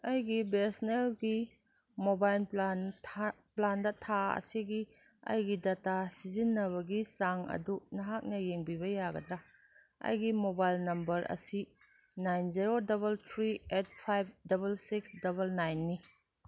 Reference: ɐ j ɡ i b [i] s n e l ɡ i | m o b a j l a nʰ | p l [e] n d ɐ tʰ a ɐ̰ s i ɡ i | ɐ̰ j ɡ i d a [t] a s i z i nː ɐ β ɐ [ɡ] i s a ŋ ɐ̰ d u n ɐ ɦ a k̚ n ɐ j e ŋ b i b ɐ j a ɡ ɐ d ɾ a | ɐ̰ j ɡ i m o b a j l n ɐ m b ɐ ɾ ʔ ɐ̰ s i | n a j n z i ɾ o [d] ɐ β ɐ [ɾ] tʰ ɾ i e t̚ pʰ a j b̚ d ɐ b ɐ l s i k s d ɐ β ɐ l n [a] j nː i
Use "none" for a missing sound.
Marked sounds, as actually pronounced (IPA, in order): e, a, t, ɡ, d, l, a

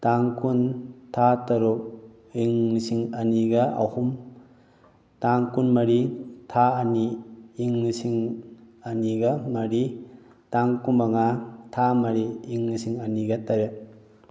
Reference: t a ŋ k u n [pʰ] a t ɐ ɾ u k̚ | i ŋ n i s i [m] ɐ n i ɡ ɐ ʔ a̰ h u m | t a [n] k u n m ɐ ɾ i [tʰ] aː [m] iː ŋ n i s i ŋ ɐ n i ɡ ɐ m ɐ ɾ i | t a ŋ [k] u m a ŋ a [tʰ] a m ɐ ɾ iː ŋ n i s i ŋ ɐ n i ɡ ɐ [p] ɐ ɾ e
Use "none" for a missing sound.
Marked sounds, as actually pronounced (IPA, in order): tʰ, ŋ, ŋ, tʰ, n, k, tʰ, t

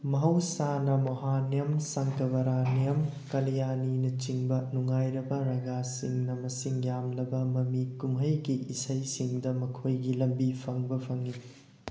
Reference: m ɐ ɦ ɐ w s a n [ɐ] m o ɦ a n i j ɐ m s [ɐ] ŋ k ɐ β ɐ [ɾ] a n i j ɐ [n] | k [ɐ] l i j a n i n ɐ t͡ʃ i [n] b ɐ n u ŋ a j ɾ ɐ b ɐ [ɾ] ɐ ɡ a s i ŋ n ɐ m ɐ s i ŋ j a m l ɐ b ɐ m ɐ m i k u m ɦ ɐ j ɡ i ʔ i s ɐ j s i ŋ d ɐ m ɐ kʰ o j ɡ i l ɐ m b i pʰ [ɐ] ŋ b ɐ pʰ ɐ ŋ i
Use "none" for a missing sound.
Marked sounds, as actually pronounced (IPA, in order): ɐ, ɐ, ɾ, m, ɐ, ŋ, ɾ, ɐ

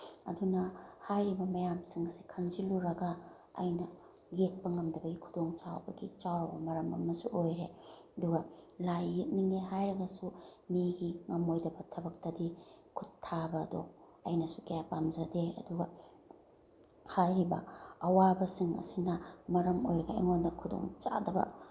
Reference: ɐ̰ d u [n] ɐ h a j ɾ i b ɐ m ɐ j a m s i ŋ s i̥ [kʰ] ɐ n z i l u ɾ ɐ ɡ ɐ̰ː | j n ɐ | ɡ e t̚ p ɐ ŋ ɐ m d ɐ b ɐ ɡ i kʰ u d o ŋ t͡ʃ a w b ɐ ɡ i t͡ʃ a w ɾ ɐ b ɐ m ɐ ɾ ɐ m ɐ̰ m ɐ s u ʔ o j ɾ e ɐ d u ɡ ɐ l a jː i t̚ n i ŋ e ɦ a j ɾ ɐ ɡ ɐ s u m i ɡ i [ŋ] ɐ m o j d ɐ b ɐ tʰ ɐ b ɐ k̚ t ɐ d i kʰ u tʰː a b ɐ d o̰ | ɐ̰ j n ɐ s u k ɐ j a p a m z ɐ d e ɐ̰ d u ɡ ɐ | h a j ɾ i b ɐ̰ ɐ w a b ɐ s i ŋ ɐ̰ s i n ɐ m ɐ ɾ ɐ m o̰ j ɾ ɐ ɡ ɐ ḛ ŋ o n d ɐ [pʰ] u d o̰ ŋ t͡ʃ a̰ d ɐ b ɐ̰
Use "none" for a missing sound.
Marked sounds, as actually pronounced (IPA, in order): n, kʰ, ŋ, kʰ

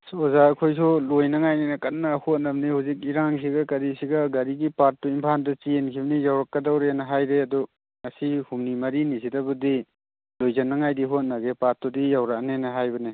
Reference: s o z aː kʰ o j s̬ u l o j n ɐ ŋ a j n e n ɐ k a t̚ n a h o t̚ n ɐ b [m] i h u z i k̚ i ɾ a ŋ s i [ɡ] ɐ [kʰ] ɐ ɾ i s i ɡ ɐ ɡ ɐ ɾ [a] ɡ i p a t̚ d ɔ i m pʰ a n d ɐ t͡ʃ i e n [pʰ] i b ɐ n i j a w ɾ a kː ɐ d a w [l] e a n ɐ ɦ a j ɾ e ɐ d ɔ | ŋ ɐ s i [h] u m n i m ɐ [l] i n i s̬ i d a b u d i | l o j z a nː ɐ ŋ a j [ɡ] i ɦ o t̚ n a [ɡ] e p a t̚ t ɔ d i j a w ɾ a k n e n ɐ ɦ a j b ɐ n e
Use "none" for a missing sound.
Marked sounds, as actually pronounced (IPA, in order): n, ɡ, k, i, kʰ, ɾ, h, ɾ, d, ɡ

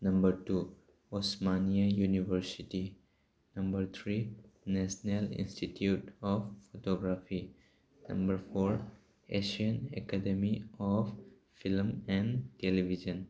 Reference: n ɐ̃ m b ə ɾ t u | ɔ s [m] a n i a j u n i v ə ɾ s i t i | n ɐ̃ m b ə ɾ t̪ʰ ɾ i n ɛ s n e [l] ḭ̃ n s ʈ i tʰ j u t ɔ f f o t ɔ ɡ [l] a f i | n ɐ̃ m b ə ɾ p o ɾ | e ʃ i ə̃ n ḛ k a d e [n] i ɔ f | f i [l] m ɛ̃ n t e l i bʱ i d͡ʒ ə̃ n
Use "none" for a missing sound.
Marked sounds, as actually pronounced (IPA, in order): m, l, ɾ, m, l

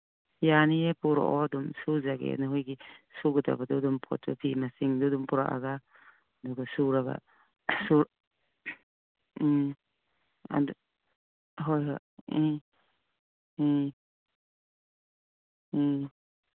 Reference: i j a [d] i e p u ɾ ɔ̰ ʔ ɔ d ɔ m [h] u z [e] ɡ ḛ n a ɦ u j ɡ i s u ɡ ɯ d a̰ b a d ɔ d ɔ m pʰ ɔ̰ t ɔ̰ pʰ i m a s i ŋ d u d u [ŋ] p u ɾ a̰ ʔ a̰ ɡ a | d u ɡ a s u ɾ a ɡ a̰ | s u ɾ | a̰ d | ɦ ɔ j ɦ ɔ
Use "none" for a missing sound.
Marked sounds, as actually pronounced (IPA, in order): n, s, a, m

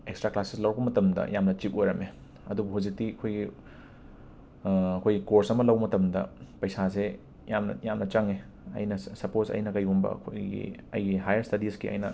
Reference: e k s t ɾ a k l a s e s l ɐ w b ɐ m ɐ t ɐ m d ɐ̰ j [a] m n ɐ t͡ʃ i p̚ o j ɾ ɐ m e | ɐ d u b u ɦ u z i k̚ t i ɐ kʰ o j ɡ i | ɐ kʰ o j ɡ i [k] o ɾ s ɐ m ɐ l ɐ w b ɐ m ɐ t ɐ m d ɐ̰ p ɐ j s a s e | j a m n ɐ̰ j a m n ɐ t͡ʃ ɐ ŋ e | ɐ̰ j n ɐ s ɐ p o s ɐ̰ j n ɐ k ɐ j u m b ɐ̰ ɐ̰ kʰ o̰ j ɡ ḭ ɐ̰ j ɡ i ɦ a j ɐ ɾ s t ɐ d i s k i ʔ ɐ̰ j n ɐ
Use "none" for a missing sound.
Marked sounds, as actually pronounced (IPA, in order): a, k

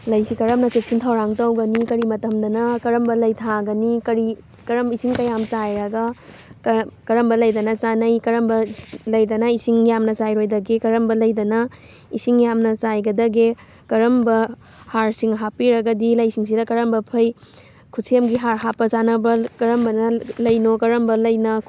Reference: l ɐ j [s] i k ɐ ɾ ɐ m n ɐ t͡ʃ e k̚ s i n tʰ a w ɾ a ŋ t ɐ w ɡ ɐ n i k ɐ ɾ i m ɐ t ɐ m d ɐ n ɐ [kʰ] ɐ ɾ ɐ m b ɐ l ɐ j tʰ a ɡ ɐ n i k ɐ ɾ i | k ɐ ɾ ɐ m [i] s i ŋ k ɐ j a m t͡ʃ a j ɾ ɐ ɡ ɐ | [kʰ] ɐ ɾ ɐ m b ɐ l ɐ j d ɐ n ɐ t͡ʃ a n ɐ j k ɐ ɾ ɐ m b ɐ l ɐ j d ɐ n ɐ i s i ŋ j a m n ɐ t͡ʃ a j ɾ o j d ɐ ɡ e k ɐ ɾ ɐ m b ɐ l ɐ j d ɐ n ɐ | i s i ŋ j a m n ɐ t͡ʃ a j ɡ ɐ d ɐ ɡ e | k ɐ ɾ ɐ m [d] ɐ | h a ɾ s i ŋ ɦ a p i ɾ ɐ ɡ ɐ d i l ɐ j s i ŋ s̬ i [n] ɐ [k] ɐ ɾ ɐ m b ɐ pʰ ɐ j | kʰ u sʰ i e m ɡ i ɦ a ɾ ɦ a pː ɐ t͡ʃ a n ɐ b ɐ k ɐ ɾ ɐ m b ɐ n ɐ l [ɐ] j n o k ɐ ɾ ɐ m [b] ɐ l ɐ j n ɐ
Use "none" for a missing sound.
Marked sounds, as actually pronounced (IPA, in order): s, k, i, k, b, d, k, ɐ, b

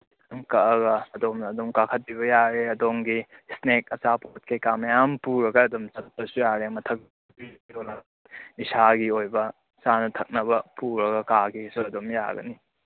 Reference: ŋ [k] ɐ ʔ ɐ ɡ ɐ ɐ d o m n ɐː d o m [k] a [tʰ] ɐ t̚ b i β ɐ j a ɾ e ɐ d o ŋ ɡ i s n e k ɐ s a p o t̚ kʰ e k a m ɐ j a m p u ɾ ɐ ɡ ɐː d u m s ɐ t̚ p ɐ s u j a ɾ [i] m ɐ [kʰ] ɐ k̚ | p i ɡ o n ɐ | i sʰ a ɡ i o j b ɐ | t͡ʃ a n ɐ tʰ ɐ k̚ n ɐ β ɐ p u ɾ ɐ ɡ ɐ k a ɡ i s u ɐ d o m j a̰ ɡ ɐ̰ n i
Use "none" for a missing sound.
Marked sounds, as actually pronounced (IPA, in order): k, k, kʰ, e, tʰ

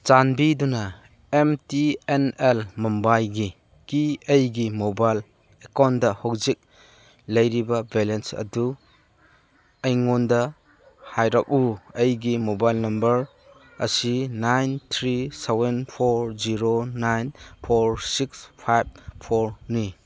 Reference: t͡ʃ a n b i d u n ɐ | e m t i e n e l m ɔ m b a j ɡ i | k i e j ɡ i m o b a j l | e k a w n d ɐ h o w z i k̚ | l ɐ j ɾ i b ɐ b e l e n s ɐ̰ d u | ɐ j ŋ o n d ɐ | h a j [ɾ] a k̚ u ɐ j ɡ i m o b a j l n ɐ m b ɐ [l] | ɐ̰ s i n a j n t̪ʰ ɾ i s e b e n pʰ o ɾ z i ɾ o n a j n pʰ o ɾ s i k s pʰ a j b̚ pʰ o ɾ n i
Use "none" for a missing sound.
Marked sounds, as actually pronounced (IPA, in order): ɾ, ɾ

